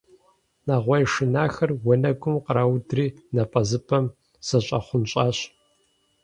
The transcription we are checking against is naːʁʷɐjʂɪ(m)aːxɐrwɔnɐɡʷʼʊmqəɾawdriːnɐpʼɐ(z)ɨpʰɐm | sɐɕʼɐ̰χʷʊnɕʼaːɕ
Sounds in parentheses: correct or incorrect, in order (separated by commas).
incorrect, correct